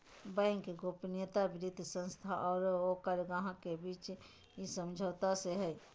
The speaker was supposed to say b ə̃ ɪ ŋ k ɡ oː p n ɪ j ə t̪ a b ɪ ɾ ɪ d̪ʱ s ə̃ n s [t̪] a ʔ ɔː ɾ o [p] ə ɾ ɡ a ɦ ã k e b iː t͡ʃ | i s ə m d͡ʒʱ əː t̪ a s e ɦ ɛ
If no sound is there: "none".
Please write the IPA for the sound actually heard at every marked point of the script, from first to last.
t̪ʰ, k

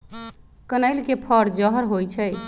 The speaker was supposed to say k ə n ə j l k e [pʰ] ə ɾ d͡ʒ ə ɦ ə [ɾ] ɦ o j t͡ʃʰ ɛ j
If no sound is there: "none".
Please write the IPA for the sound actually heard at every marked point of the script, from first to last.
pʰ, ɾ

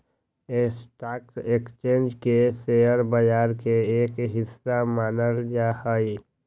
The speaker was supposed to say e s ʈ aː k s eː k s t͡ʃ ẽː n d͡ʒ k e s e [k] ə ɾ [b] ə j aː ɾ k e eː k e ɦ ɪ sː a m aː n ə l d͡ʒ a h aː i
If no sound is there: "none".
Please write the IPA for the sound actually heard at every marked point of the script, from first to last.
none, b

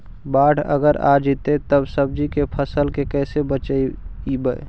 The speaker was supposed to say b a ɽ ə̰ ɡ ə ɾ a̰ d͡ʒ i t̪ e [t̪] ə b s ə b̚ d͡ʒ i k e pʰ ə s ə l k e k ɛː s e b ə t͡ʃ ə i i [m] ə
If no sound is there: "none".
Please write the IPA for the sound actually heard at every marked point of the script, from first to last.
t̪, b

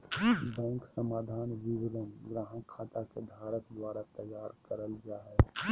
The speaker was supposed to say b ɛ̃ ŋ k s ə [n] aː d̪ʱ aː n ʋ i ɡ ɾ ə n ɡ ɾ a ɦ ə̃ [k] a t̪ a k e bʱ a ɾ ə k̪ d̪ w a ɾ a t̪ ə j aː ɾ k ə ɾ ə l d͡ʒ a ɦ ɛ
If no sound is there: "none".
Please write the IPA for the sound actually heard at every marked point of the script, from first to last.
m, kʰ

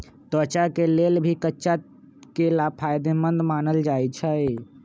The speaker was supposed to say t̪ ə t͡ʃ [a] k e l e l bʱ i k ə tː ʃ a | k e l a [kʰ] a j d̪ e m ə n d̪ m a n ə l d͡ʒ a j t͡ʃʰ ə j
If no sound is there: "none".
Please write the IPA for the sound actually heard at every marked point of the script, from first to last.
a, pʰ

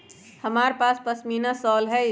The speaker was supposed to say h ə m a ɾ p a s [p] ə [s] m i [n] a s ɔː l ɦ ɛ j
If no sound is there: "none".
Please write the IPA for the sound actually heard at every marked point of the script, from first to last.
p, s, n

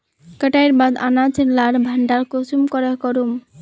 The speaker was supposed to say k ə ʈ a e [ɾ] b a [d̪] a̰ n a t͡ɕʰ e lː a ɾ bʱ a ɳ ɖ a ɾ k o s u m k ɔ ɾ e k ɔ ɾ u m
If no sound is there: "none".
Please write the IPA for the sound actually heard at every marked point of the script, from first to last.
ɾ, d̪

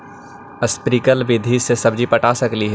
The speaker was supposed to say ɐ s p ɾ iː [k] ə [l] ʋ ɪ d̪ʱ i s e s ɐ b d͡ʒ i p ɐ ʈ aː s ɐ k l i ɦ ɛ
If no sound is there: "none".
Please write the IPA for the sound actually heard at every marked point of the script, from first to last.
k, l

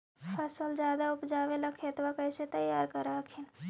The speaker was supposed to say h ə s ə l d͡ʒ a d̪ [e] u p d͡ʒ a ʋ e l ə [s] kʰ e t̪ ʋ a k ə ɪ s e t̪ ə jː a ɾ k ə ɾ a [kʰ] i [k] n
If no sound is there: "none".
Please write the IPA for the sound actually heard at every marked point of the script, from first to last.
a, none, kʰ, none

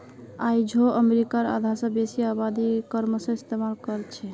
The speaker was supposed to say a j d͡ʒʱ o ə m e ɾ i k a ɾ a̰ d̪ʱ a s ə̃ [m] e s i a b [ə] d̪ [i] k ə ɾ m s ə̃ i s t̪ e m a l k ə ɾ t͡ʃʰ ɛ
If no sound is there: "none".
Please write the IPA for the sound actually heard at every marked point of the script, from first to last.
b, a, i

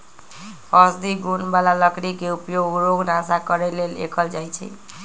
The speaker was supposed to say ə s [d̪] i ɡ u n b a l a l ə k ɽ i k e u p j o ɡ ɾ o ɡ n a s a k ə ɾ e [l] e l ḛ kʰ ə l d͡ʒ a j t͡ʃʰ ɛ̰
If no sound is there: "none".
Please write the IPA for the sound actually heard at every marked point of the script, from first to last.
d̪, l

